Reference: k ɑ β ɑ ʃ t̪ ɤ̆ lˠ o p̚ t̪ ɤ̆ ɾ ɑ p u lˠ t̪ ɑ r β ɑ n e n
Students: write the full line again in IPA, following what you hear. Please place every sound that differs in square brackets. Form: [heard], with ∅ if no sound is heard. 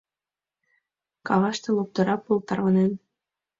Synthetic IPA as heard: k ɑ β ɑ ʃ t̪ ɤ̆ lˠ o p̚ t̪ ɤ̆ ɾ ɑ p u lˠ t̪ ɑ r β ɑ n e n

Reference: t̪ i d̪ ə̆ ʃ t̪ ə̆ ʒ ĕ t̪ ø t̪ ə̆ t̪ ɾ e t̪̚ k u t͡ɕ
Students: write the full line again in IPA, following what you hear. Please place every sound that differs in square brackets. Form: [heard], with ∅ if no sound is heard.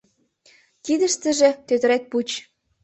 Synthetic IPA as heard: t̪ i d̪ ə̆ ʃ t̪ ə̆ ʒ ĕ t̪ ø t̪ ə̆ [∅] ɾ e t̪̚ [p] u t͡ɕ

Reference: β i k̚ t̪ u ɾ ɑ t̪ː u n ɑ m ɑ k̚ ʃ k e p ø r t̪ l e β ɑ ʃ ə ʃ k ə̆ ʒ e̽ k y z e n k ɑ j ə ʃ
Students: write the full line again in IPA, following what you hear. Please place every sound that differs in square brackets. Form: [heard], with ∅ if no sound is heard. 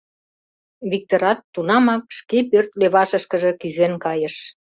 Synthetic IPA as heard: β i k̚ t̪ [o] ɾ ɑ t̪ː u n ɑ m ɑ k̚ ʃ k e p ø r t̪ l e β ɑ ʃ ə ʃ k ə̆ ʒ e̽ k y z e n k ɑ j ə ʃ

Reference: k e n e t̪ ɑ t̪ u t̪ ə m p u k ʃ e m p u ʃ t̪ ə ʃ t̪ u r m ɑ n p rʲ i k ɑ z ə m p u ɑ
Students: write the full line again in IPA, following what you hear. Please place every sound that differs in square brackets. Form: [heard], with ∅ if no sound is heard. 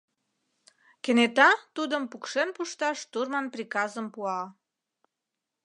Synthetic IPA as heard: k e n e t̪ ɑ t̪ u [d̪] ə m p u k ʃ e [n] p u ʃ t̪ [ɑ] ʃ t̪ u r m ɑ n p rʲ i k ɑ z ə m p u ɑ

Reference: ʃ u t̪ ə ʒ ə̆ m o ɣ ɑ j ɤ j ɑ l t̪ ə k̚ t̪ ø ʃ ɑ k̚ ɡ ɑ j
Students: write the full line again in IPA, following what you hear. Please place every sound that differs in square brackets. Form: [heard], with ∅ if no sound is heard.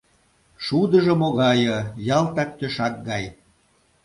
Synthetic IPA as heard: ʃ u [d̪] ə ʒ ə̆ m o ɣ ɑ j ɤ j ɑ l t̪ [ɑ] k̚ t̪ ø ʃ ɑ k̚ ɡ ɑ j

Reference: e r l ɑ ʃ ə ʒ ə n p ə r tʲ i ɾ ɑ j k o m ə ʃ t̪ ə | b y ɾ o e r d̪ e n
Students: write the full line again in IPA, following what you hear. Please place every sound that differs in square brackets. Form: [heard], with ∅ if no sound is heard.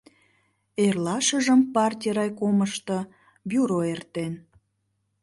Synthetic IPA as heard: e r l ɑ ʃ ə ʒ ə [m] p [ɑ] r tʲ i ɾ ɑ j k o m ə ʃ t̪ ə | b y ɾ o e r [t̪] e n

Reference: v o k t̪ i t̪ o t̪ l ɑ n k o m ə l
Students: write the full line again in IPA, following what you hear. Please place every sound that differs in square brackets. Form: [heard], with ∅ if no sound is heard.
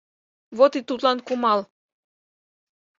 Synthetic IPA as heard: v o [∅] t̪ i t̪ [u] t̪ l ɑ n k [u] m [ɑ] l

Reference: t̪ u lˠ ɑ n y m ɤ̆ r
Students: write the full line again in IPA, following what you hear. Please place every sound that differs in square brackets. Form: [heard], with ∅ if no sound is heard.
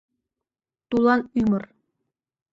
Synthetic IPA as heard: t̪ u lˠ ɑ n y m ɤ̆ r

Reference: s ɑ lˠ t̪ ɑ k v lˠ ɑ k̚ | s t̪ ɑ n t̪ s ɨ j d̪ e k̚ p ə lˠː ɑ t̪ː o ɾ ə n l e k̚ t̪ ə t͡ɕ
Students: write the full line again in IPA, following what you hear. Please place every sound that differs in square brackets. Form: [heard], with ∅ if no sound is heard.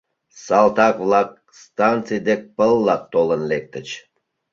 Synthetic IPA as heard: s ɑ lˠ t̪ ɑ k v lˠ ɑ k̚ | s t̪ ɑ n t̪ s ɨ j d̪ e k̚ p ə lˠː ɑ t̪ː o [l] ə n l e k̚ t̪ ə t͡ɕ

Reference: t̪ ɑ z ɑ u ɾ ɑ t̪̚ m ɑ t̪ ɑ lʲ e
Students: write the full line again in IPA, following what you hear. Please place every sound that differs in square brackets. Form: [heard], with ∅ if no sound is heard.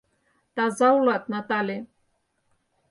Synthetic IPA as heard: t̪ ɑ z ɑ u [l] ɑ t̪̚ [n] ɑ t̪ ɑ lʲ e

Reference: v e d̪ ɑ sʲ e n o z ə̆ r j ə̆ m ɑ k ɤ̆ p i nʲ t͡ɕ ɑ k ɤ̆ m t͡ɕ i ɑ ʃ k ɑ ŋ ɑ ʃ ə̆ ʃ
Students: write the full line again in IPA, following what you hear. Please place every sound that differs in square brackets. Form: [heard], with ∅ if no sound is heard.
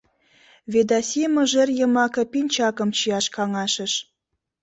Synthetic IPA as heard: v e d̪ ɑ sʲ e [m] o [ʒ] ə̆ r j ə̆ m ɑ k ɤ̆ p i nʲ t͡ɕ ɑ k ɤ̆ m t͡ɕ i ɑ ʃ k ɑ ŋ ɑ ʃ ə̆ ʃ

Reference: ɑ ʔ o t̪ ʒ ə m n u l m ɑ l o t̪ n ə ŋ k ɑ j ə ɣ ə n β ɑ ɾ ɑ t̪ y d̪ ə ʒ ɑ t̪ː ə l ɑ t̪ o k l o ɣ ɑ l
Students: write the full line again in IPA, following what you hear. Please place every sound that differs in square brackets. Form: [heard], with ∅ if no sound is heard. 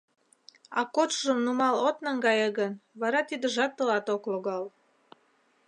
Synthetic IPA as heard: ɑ [k] o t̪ ʒ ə m n u [∅] m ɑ l o t̪ n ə ŋ [ɡ] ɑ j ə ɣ ə n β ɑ ɾ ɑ t̪ [i] d̪ ə ʒ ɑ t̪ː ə l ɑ t̪ o k l o ɣ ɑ l

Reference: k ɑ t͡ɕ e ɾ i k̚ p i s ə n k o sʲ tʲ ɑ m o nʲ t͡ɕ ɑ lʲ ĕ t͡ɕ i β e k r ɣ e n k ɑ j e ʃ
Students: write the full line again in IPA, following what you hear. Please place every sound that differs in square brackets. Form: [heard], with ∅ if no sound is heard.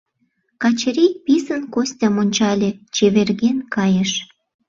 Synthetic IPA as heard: k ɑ t͡ɕ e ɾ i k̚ p i s ə n k o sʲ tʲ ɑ m o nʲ t͡ɕ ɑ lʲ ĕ t͡ɕ [e] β e [∅] r ɣ e n k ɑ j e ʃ

